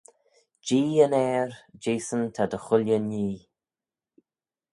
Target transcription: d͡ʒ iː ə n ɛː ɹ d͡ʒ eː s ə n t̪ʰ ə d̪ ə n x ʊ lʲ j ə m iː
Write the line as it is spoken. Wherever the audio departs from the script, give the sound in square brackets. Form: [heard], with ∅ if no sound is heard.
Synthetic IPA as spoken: d͡ʒ iː ə n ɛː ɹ d͡ʒ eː s ə n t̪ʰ [a] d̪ ə [∅] x ʊ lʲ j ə [n] iː